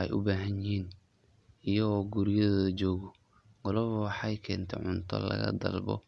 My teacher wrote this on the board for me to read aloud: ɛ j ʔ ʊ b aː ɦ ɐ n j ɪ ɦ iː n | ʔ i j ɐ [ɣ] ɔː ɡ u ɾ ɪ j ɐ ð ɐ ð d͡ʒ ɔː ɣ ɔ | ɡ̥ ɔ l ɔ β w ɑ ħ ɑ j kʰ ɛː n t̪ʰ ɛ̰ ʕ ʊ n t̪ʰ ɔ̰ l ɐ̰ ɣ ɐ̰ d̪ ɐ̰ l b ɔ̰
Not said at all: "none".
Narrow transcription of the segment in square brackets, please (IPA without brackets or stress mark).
ɣ